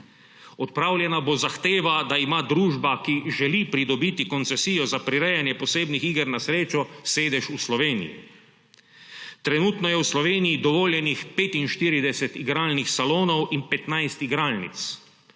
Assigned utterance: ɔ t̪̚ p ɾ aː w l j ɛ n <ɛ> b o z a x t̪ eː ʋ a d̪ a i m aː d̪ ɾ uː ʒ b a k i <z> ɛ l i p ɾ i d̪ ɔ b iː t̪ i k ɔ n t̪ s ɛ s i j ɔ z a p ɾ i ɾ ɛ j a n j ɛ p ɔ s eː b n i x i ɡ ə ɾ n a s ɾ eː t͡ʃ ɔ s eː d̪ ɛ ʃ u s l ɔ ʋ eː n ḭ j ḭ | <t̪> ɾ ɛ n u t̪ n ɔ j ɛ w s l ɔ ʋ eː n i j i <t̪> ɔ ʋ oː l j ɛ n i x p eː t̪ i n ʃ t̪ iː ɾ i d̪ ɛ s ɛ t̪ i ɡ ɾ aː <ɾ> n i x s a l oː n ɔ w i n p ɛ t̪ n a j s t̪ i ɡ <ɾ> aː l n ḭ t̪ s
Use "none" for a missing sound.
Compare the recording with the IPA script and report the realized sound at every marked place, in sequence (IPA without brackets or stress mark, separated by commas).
a, ʒ, t̪, d̪, l, ɾ